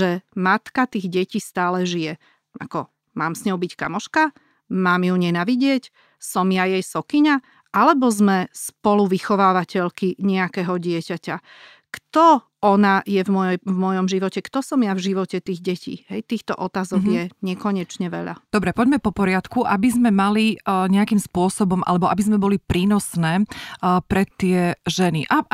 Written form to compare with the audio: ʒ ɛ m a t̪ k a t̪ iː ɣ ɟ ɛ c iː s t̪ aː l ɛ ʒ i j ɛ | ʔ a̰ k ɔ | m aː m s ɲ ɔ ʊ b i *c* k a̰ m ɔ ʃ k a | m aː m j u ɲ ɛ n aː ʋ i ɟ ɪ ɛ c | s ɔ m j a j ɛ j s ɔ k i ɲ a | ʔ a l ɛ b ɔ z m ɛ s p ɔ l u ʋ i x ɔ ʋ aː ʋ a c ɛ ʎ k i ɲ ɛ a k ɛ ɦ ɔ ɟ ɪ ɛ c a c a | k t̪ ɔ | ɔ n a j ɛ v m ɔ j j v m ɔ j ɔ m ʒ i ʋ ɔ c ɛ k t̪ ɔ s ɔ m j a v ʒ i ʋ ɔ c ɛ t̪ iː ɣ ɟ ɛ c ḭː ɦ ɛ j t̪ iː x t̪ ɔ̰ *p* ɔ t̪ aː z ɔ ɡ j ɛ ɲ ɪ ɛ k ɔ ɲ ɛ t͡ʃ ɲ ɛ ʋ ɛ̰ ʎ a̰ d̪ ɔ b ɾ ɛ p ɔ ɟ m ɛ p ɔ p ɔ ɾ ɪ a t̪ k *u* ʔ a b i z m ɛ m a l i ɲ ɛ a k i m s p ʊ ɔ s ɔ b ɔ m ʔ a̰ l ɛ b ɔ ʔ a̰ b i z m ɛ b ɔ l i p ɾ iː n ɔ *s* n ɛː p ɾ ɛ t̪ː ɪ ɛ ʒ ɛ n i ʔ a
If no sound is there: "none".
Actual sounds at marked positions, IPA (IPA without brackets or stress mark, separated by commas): c, ʔ, u, s